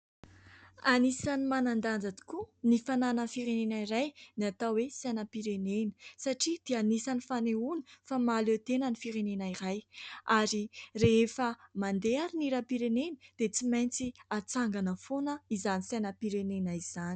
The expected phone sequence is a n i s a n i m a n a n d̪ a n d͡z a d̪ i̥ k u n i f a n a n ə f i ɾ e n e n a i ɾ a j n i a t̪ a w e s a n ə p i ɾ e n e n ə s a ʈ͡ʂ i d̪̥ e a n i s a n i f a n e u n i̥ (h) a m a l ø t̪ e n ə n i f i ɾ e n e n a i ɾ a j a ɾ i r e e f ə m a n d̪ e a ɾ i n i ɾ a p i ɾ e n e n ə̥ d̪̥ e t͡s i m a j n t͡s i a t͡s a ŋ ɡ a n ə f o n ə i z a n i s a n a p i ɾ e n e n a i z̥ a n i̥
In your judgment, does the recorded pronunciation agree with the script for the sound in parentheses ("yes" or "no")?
no